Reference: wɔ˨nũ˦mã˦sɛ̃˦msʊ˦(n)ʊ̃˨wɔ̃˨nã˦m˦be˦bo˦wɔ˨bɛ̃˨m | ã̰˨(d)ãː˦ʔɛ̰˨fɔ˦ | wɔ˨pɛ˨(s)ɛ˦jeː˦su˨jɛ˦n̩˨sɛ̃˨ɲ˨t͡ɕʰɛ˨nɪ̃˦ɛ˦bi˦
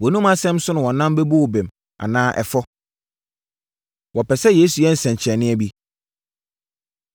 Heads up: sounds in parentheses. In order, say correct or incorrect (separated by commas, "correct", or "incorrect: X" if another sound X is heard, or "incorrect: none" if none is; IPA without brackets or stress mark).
correct, incorrect: n, correct